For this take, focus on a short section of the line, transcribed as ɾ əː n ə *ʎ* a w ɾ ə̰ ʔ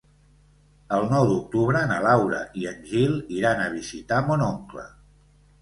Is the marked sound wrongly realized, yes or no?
yes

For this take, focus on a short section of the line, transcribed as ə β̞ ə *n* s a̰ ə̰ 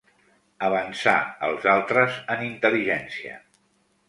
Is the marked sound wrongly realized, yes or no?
no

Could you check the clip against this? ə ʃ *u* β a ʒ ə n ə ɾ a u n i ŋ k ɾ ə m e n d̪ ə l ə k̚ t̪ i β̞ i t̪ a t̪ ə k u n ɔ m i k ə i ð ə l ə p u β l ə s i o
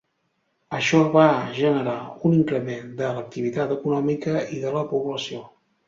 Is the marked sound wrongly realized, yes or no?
yes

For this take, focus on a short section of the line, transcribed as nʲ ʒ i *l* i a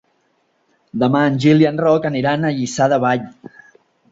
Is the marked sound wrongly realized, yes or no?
no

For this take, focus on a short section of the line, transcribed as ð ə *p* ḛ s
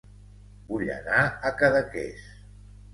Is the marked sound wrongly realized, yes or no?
yes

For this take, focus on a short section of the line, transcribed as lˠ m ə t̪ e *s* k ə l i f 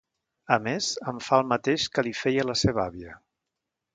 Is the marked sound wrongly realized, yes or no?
yes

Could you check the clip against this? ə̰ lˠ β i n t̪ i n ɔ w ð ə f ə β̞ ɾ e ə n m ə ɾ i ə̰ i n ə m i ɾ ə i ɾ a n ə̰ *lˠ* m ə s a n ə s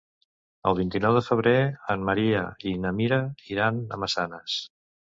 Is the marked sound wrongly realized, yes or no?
yes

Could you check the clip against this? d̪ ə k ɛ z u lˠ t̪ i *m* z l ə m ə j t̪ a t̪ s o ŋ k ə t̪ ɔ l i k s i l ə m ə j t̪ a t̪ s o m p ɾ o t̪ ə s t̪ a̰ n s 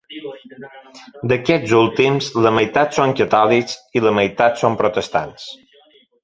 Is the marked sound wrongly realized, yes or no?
no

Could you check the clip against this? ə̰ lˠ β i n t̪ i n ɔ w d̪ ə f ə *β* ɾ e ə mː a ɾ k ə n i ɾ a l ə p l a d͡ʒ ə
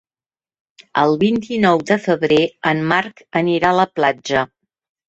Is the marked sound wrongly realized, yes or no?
no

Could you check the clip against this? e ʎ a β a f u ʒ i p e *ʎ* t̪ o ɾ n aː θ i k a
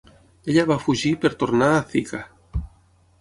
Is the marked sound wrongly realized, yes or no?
yes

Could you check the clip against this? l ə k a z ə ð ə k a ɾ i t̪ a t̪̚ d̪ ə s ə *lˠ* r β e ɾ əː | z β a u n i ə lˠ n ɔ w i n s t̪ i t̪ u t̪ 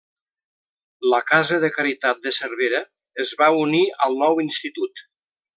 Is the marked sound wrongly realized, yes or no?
yes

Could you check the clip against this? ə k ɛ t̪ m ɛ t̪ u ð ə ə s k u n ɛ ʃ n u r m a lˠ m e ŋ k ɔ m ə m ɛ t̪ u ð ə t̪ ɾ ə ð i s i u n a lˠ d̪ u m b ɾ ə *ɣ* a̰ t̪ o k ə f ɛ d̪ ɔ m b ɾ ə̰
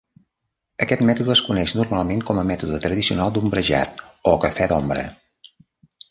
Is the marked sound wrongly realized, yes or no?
yes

